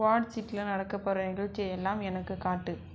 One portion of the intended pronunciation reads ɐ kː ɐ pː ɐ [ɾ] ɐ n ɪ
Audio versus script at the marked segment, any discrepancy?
no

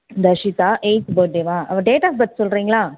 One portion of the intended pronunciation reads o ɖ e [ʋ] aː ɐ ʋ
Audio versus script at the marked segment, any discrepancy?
no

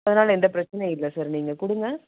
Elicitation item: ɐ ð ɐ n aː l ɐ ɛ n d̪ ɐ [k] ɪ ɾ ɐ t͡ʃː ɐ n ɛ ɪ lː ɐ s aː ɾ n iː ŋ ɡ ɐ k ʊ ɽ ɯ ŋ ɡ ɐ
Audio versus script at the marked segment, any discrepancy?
yes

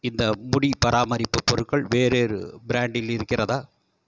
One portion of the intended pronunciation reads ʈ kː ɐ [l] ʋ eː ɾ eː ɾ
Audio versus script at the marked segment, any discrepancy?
yes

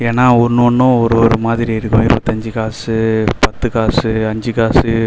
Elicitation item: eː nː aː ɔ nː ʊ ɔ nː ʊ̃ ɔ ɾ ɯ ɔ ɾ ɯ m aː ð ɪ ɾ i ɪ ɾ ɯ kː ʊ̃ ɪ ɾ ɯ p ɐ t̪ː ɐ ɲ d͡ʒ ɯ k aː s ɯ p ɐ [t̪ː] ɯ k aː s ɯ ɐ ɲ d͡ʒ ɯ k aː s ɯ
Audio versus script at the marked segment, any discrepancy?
no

